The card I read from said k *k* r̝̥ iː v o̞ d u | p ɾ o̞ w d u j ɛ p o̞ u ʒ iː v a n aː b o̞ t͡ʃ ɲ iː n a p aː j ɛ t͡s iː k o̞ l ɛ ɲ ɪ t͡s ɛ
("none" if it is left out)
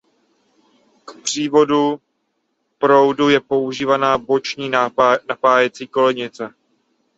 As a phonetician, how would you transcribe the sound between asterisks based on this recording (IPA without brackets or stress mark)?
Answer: p